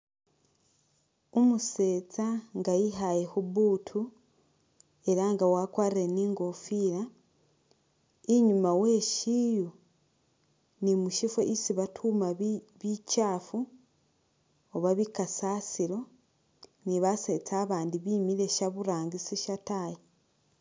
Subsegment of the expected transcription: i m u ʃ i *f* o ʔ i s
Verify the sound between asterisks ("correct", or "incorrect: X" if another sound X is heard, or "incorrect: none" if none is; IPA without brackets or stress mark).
correct